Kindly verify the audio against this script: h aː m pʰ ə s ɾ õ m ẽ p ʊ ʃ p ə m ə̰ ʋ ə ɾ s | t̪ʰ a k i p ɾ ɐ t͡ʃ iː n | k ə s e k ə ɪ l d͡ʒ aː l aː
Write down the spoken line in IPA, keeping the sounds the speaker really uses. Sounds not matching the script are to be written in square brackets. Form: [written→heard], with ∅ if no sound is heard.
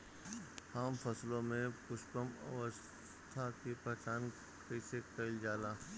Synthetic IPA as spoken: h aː m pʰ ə s [ɾ→l] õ m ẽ p ʊ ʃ p ə m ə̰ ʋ ə [ɾ→∅] s | t̪ʰ a k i p ɾ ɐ t͡ʃ [iː→aː] n | k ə s e k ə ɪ l d͡ʒ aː l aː

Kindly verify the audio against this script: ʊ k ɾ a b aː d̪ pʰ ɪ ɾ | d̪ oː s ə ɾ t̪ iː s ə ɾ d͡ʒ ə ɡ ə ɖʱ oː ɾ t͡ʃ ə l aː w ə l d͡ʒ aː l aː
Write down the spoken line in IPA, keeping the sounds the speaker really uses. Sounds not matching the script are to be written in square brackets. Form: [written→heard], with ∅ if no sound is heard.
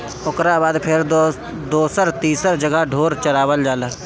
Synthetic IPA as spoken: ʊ k ɾ a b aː d̪ pʰ ɪ ɾ | d̪ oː s ə ɾ t̪ iː s ə ɾ d͡ʒ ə ɡ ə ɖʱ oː ɾ t͡ʃ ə [l→ɾ] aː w ə l d͡ʒ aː l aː

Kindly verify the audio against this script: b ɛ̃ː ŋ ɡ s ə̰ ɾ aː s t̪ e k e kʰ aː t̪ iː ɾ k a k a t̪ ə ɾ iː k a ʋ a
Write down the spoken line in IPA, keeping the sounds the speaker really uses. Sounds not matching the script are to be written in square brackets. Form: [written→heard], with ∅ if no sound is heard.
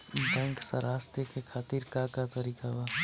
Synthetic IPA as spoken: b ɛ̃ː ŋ [ɡ→k] s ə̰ ɾ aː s t̪ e k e kʰ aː t̪ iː ɾ k a k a t̪ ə ɾ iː k a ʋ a

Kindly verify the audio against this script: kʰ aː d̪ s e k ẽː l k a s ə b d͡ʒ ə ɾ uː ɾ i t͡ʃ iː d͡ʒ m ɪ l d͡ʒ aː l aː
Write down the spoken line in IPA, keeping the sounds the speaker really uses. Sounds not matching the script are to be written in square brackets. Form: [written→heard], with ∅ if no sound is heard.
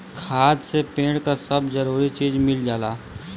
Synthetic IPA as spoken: kʰ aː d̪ s e [k→p] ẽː [l→ɽ] k a s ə b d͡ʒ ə ɾ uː ɾ i t͡ʃ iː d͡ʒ m ɪ l d͡ʒ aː l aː

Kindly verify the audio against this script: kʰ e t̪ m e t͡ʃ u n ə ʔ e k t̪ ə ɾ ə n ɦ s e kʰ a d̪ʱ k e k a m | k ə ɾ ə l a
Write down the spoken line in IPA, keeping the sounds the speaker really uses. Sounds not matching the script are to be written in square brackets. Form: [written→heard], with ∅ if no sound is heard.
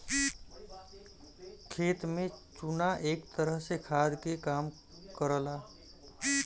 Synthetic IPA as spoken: kʰ e t̪ m e t͡ʃ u n [ə→a] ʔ e k t̪ ə ɾ ə [n→∅] ɦ s e kʰ a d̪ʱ k e k a m | k ə ɾ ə l a

